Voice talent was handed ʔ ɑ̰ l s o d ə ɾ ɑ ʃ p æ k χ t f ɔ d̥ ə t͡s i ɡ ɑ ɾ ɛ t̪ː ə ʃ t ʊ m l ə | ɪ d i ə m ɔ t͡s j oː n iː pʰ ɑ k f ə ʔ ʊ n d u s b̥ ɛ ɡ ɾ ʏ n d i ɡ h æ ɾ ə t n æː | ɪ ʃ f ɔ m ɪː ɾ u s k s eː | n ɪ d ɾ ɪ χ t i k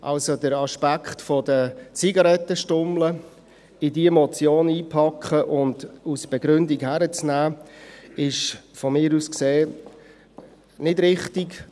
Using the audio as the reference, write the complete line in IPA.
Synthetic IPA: ʔ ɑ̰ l s o d ə ɾ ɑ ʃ p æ k χ t f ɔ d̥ ə t͡s i ɡ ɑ ɾ ɛ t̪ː ə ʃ t ʊ m l ə | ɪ d i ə m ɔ t͡s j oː n iː pʰ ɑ k χ ə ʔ ʊ n d u s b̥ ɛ ɡ ɾ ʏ n d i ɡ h æ ɾ ə t͡s n æː | ɪ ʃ f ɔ m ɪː ɾ u s k s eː | n ɪ d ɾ ɪ χ t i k